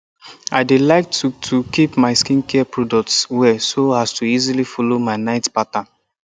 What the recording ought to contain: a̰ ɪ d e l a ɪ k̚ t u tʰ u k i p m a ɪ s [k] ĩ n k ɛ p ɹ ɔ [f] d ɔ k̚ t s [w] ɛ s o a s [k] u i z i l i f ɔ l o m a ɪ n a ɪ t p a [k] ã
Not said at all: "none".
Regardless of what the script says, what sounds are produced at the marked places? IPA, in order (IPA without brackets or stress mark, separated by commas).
k, none, w, t, t